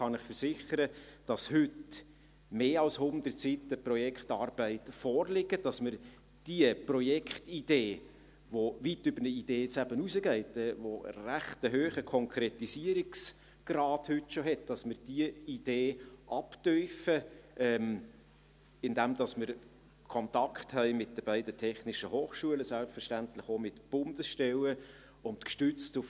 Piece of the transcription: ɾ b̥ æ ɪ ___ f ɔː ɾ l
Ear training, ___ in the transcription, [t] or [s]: t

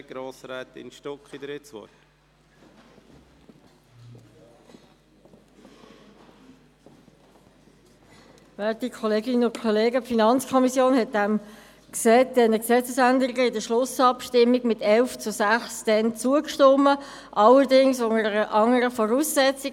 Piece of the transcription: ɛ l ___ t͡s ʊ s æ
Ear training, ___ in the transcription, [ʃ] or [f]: f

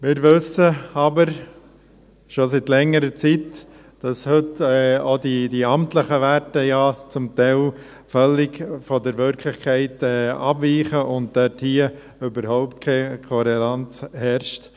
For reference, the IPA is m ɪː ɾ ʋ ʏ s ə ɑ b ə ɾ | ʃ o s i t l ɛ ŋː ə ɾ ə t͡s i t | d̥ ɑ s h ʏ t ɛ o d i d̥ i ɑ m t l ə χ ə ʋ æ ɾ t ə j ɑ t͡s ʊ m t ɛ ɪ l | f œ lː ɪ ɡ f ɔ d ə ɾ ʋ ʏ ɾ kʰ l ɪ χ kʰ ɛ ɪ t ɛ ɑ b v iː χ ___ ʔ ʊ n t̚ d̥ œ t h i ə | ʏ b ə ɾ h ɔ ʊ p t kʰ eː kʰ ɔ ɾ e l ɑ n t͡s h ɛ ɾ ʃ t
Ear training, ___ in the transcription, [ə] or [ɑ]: ə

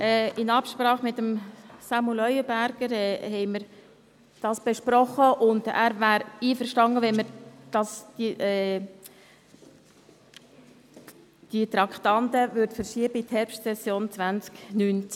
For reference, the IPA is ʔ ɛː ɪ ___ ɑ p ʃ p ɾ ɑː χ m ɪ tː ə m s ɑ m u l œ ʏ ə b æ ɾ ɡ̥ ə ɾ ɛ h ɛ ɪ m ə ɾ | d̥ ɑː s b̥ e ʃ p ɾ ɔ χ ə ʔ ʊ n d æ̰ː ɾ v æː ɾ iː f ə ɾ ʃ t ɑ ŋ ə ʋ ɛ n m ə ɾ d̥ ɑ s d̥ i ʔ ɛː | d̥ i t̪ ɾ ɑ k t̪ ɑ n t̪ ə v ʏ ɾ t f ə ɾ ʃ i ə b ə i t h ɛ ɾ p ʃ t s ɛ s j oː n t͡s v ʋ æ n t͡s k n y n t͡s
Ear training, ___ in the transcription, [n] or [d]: n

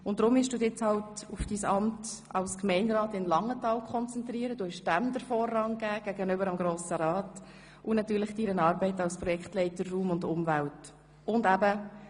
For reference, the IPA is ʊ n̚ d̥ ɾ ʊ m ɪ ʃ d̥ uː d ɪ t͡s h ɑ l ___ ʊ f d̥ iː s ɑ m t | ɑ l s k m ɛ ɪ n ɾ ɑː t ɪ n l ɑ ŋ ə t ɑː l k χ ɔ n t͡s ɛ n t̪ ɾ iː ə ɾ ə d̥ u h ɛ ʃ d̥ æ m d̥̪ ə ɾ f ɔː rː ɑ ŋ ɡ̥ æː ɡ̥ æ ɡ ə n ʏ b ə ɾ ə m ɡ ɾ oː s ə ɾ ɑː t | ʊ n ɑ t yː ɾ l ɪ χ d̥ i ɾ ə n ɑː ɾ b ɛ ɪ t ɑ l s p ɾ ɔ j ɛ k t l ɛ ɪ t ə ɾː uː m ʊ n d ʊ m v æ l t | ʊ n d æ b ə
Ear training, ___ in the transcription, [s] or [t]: t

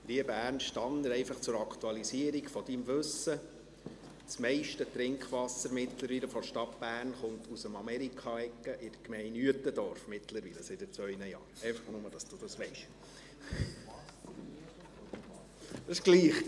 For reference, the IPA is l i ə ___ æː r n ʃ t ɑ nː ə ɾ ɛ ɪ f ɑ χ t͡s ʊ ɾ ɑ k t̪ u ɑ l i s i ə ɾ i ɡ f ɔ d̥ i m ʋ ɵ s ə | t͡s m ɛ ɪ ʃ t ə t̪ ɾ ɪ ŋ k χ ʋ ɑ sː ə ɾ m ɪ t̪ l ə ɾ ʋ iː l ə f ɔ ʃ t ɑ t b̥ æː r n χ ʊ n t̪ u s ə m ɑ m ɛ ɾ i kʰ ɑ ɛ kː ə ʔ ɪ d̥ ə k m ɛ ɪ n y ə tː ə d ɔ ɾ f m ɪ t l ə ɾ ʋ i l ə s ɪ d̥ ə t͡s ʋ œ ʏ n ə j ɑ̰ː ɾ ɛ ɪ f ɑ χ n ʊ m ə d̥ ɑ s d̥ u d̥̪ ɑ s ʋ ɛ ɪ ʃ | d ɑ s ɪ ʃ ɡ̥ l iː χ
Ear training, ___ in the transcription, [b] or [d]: b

